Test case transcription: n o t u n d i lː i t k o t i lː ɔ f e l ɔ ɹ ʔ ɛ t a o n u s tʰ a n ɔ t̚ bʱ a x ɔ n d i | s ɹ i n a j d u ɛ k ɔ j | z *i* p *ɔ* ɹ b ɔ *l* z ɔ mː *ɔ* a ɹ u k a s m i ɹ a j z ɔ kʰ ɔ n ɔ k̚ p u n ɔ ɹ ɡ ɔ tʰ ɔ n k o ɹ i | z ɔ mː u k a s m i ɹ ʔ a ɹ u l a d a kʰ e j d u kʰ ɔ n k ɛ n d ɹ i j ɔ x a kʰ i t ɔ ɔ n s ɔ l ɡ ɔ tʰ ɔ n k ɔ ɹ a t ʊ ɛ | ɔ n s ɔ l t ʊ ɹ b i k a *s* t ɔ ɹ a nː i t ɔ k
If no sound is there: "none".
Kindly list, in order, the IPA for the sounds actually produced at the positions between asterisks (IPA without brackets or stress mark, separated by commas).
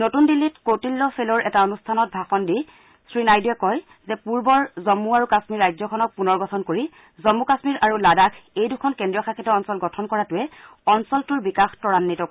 ɛ, u, ɹ, u, x